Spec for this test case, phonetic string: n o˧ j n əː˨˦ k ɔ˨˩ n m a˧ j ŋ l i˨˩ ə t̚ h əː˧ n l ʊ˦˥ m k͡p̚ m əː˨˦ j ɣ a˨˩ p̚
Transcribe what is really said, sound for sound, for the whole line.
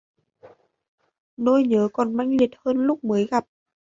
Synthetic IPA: n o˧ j ɲ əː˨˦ k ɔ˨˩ n m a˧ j ŋ l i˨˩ ə t̚ h əː˧ n l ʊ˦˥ k͡p̚ m əː˨˦ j ɣ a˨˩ p̚